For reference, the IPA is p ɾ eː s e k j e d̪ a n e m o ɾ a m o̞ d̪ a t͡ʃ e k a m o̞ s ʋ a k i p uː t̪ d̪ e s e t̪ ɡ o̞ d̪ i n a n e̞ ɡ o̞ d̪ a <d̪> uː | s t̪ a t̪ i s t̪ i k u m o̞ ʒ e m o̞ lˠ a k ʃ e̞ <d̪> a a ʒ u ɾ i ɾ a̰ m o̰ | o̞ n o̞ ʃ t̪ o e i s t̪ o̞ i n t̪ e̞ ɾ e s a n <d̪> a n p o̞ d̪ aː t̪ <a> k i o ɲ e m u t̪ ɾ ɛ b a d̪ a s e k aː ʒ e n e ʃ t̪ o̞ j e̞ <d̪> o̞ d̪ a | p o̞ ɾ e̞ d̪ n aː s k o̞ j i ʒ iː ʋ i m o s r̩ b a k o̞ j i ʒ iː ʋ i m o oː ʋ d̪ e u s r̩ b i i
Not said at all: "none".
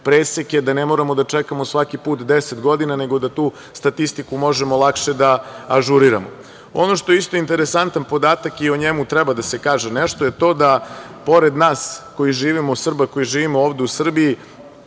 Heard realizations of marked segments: t̪, d̪, t̪, a, t̪

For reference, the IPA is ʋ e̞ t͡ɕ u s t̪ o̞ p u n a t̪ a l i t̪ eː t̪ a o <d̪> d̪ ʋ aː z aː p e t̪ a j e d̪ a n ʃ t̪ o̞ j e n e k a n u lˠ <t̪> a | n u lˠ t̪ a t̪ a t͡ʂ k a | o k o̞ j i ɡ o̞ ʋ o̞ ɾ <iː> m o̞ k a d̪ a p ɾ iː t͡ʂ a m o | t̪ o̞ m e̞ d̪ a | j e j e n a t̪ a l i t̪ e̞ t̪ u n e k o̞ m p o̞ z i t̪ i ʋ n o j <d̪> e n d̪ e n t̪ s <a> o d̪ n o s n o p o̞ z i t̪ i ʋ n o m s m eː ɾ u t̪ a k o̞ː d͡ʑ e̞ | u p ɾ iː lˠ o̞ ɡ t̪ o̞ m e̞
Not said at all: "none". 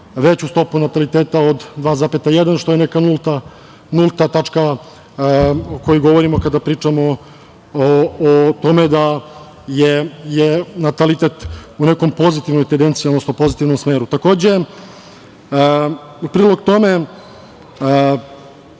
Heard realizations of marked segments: d̪, t̪, i, t̪, i

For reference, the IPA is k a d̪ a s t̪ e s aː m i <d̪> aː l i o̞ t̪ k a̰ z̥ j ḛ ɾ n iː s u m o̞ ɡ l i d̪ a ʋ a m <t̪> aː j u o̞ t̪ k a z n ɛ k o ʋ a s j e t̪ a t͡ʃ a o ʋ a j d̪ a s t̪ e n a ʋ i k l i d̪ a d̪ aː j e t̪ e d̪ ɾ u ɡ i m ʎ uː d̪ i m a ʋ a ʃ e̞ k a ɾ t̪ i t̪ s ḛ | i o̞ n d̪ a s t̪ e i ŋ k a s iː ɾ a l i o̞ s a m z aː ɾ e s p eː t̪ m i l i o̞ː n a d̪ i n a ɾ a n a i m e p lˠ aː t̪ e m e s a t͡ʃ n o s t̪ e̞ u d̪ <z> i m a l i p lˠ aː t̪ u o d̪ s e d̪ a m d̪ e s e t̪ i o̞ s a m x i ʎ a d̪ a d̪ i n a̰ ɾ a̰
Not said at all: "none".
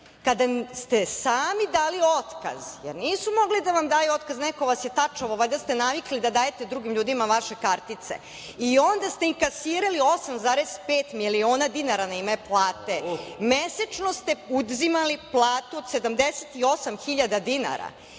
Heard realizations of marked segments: d̪, d̪, z

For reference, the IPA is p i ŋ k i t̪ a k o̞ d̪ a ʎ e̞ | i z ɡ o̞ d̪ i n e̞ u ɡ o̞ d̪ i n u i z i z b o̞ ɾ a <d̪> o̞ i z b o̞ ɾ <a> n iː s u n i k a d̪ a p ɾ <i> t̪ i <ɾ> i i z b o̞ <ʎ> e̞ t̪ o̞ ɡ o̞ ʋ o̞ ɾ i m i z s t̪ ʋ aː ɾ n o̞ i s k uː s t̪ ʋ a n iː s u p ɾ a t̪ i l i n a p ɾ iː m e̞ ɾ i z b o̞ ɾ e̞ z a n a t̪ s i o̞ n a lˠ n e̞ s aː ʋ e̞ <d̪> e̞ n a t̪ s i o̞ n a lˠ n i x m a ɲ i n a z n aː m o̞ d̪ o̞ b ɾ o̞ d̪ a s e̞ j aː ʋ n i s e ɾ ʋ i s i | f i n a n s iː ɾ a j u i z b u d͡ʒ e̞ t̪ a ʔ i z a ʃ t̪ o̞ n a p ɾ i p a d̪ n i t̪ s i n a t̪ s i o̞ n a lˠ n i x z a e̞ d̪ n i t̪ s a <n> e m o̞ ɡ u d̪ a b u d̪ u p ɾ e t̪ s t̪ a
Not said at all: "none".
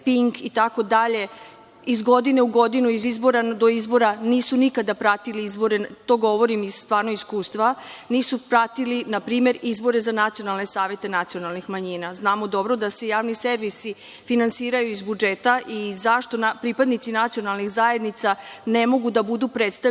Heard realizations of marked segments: d̪, a, a, l, ɾ, t̪, n

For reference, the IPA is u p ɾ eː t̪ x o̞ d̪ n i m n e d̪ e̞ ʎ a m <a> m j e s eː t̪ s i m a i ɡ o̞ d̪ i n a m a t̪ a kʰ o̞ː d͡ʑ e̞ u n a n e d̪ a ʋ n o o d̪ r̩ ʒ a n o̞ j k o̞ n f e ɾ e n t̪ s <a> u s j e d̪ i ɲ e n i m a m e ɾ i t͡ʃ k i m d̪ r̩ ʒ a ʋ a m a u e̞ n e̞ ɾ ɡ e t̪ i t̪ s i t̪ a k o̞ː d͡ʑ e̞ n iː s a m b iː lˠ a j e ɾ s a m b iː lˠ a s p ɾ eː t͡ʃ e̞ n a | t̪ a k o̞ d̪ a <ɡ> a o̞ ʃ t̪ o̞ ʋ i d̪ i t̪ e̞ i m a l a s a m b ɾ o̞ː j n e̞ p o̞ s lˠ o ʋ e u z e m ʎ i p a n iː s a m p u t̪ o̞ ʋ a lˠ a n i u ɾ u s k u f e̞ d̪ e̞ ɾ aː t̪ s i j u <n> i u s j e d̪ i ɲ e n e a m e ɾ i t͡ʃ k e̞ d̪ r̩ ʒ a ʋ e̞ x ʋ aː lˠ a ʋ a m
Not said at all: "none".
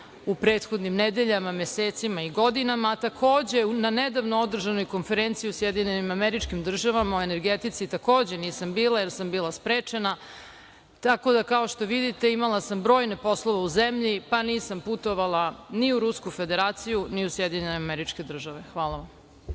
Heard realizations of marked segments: a, i, k, n

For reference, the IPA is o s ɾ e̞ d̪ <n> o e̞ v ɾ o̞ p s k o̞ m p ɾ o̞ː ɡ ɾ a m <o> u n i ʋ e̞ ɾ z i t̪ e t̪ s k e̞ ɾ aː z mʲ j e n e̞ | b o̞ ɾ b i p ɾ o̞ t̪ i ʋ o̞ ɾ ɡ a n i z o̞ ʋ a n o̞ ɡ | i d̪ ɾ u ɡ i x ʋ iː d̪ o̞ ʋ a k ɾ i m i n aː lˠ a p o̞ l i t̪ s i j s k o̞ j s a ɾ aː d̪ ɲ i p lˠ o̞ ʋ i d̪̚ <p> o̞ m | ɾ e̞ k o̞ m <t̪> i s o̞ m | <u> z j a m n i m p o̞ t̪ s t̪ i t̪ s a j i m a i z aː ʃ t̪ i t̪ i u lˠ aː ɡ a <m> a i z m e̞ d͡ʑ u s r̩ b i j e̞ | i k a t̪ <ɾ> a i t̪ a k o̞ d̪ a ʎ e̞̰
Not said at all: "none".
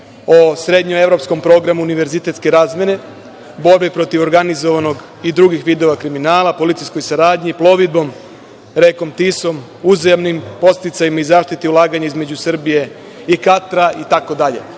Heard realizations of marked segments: ɲ, u, b, t̪, u, ɲ, ɾ

